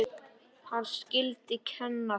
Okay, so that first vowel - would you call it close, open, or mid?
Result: open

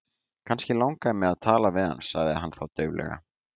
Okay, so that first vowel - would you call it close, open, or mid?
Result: open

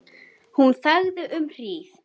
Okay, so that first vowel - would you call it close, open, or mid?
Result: close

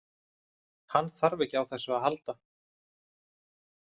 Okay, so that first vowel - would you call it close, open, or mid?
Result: open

